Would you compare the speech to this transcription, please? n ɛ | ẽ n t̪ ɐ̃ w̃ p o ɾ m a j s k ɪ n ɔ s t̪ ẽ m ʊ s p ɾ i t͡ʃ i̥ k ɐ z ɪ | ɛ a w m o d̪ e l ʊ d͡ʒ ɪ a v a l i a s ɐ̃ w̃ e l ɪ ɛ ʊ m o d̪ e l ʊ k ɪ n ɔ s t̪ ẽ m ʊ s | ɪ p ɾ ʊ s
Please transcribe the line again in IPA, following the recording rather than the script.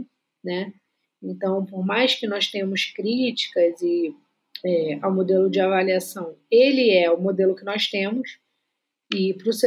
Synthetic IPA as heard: n ɛ | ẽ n t̪ ɐ̃ w̃ p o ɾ m a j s k ɪ n ɔ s t̪ ẽ m ʊ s k ɾ i t͡ʃ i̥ k ɐ z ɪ | ɛ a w m o d̪ e l ʊ d͡ʒ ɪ a v a l i a s ɐ̃ w̃ e l ɪ ɛ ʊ m o d̪ e l ʊ k ɪ n ɔ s t̪ ẽ m ʊ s | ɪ p ɾ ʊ s